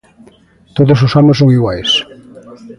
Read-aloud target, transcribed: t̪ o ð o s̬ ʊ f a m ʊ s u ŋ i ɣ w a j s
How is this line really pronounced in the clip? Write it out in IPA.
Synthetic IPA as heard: t̪ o ð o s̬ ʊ s a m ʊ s o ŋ i ɣ w a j s